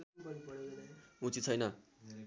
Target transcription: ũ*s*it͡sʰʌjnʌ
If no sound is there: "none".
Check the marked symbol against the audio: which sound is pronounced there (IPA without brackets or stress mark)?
t͡s